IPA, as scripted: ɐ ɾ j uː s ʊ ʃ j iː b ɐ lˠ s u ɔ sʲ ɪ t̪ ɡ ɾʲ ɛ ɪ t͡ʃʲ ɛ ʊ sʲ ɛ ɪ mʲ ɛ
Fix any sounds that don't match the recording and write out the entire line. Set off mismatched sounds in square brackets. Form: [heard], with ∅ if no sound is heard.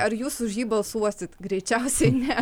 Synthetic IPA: ɐ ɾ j uː s ʊ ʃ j iː b ɐ lˠ s u ɔ sʲ ɪ t̪ ɡ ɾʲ ɛ ɪ t͡ʃʲ ɛ ʊ sʲ ɛ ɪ [nʲ] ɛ